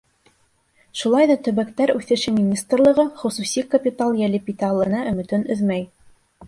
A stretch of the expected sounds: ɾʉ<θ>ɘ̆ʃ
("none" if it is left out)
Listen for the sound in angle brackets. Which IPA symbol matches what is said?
θ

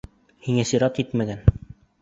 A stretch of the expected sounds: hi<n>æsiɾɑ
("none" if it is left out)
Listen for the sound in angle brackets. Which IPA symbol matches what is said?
ŋ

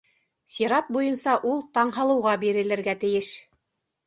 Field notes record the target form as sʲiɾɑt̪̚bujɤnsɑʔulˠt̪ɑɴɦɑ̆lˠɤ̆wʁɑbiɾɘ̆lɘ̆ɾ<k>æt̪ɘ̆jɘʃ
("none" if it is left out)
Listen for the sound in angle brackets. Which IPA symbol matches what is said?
ɡ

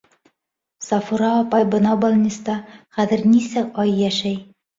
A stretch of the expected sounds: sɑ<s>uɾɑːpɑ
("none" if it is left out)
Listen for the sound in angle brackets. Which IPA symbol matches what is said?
f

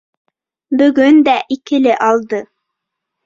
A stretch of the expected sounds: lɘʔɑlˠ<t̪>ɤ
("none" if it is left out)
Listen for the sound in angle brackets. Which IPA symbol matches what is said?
d̪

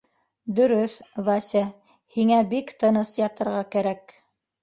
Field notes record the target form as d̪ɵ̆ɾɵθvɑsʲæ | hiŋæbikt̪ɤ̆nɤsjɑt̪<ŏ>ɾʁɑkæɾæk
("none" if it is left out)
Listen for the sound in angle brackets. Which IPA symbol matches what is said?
ɤ̆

